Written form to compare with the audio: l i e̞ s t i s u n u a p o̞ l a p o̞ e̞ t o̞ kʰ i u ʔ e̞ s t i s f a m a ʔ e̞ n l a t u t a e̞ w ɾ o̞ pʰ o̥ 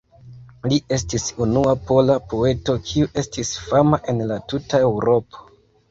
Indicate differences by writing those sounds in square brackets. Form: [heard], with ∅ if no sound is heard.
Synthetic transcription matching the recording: l i e̞ s t i s u n u a p o̞ l a p o̞ e̞ t o̞ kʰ i u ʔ e̞ s t i s f a m a ʔ e̞ n l a t u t a e̞ w ɾ o̞ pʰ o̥